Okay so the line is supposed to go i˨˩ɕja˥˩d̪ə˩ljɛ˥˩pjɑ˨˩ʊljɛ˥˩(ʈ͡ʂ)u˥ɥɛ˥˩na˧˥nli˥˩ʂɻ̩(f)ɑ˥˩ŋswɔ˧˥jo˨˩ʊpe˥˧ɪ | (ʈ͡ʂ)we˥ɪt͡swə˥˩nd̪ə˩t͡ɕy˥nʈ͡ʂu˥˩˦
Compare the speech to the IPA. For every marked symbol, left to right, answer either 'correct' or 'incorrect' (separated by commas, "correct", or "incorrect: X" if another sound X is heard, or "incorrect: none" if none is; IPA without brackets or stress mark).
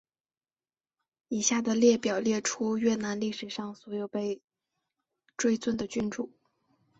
incorrect: ʈ͡ʂʰ, incorrect: ʂ, correct